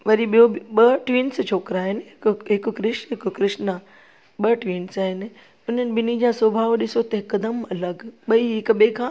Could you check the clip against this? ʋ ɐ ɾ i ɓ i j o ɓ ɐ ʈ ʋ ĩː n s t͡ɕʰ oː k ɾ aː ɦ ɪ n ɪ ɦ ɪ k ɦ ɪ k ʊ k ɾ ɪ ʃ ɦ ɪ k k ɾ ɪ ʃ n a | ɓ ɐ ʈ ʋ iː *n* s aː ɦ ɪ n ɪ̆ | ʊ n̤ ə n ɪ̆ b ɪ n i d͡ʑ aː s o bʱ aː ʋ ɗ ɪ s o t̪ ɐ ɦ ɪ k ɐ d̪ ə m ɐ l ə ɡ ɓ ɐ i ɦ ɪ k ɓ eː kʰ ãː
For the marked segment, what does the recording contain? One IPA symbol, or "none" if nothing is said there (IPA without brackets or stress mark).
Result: n